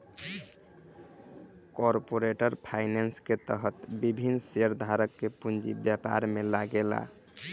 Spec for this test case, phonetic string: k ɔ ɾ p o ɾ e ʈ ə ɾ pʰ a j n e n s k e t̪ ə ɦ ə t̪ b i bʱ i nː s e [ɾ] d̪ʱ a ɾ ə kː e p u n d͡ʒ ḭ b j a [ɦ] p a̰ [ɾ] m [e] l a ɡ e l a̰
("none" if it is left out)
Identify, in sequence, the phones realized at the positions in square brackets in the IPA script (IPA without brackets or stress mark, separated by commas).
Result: ɾ, none, ɾ, e